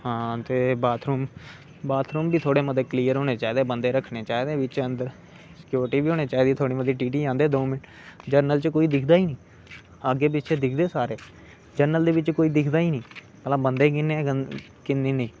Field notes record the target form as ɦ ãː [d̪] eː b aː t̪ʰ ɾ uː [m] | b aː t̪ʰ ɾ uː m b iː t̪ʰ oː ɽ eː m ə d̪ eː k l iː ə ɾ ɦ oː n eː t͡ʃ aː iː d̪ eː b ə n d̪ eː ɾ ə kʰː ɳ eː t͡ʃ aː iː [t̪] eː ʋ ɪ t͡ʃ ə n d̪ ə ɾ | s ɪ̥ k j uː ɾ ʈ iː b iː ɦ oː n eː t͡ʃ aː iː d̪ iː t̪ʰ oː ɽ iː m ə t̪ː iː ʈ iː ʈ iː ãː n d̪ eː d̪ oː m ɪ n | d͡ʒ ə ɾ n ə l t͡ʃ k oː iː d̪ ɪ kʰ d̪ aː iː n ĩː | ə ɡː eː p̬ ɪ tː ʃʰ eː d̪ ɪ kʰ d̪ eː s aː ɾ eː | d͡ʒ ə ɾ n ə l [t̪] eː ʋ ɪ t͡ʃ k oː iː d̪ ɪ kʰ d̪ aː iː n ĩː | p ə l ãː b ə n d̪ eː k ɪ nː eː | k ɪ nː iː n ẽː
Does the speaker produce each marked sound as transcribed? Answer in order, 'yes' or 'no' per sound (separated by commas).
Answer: no, yes, no, no